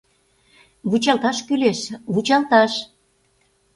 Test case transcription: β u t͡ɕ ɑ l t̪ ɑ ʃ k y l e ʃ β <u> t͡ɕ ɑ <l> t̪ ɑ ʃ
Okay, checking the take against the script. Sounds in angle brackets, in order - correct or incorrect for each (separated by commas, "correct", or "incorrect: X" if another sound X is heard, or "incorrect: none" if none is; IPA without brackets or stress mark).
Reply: correct, correct